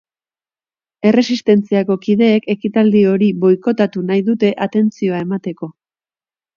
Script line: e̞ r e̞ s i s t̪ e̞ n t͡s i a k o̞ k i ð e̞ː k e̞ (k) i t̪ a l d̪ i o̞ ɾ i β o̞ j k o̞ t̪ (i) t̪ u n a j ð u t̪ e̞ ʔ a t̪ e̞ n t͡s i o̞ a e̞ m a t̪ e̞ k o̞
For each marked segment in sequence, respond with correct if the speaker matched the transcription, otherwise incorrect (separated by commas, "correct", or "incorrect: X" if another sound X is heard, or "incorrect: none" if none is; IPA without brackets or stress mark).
correct, incorrect: a